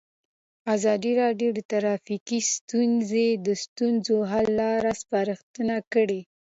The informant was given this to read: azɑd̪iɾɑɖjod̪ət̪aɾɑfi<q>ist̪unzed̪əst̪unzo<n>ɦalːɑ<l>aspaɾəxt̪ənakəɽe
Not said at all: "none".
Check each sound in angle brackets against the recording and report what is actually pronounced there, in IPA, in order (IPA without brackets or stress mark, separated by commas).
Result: k, none, ɾ